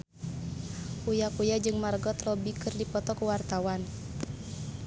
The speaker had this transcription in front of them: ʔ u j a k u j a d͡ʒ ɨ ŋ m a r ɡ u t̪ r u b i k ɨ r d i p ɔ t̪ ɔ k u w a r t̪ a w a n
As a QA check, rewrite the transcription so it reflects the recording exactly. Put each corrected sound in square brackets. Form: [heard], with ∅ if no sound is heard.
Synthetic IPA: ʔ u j a k u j a d͡ʒ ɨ ŋ m a r ɡ [ɔ] t̪ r [ɔ] b i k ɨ r d i p ɔ t̪ ɔ k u w a r t̪ a w a n